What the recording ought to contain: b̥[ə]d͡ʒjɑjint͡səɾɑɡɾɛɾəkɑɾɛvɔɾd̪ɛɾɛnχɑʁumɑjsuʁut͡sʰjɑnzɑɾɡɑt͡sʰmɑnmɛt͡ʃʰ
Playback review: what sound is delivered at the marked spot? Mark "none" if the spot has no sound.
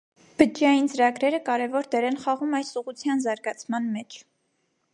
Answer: ə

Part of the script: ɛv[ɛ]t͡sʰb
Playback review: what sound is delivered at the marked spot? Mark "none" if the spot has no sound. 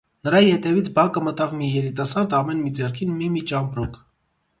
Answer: i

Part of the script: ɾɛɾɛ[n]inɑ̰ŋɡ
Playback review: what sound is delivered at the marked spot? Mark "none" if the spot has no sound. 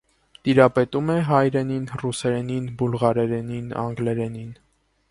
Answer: n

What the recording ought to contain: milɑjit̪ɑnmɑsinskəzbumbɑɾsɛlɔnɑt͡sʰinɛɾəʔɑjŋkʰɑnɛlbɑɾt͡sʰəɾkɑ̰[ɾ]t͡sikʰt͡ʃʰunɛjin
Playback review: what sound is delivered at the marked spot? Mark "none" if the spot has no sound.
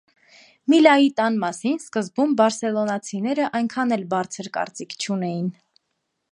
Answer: ɾ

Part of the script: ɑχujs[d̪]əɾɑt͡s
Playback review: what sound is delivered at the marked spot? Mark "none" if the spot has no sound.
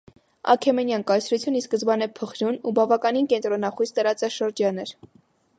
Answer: t̪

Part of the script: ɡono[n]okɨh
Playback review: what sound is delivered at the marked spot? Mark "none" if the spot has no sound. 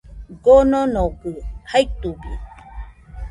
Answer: n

